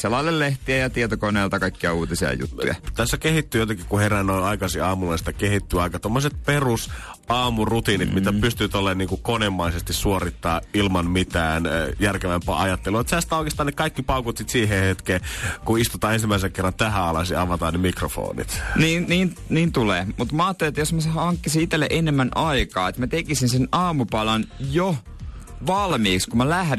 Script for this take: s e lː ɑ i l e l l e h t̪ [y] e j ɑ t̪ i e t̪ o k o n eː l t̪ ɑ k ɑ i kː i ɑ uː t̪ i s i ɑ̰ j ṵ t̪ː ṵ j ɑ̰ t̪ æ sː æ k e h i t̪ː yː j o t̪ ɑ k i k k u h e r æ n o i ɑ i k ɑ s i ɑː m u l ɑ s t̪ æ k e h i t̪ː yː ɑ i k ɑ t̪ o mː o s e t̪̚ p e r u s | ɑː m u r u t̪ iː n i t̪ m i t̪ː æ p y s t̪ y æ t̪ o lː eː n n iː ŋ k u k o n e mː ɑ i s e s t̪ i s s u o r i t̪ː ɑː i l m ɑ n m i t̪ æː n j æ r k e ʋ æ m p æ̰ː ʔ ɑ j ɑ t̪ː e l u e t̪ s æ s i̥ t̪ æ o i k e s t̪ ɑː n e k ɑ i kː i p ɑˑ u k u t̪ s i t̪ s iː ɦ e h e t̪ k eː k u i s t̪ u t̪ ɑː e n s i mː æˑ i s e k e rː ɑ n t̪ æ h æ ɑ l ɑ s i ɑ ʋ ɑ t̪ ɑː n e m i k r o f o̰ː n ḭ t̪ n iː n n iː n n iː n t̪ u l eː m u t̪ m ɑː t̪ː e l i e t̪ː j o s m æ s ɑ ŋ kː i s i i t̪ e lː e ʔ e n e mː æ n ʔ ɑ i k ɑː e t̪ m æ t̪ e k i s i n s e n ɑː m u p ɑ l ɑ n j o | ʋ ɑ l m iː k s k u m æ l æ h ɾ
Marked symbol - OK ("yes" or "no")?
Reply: no